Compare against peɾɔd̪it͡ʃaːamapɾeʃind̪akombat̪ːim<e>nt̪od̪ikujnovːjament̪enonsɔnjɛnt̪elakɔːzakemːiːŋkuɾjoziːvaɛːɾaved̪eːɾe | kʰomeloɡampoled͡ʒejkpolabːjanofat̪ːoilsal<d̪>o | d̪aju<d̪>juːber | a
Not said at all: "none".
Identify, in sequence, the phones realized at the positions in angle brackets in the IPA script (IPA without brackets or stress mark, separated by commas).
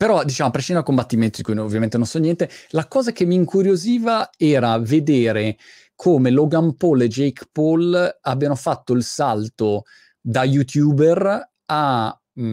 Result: e, t̪, t̪